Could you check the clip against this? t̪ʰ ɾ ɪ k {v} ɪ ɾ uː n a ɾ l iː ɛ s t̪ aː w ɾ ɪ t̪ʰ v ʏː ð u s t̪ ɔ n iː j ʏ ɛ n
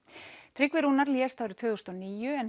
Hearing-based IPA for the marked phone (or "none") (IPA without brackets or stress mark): v